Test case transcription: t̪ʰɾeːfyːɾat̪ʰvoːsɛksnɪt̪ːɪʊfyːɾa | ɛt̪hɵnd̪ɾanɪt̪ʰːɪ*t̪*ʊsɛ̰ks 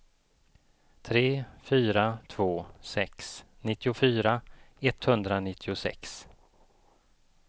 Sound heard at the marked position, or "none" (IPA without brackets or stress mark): none